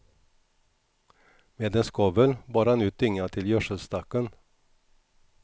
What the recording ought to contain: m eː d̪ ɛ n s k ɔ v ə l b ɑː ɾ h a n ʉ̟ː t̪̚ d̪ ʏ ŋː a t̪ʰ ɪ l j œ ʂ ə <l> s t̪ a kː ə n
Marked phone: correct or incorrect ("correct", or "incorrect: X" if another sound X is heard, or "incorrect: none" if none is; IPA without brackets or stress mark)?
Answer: correct